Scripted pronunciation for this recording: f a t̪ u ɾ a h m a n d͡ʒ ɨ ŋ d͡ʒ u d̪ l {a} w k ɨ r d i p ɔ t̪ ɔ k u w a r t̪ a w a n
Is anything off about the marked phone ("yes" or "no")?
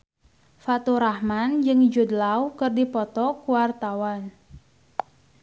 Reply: no